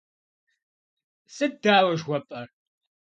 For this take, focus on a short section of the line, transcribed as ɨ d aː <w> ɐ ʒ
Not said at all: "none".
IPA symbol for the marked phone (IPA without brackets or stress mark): w